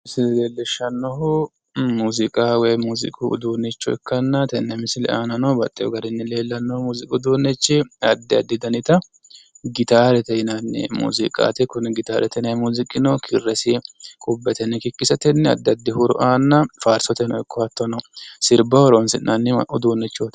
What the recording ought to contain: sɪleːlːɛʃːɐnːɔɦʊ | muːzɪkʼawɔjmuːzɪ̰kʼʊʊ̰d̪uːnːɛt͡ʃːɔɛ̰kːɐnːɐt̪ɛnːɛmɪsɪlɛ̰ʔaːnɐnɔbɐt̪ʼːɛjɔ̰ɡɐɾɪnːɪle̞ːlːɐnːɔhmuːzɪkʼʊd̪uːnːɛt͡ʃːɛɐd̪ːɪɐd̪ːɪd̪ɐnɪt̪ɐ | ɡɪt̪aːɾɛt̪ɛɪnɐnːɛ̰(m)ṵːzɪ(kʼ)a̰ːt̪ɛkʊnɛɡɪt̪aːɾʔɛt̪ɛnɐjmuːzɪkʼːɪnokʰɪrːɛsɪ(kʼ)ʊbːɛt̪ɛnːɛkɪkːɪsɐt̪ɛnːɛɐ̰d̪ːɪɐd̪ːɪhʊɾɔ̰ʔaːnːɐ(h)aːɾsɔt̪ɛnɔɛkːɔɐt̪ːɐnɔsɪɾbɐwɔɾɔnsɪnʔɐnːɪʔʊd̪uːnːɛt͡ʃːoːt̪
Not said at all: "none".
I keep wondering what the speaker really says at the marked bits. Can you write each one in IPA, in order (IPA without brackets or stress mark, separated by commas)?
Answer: m, kʼ, kʼ, f